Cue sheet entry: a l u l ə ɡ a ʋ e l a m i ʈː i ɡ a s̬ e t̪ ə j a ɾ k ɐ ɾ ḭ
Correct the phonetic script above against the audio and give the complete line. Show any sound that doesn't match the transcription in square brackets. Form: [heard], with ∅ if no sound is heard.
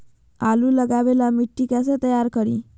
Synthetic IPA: a l u l ə ɡ a ʋ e l a m i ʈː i [k] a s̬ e t̪ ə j a ɾ k [ə] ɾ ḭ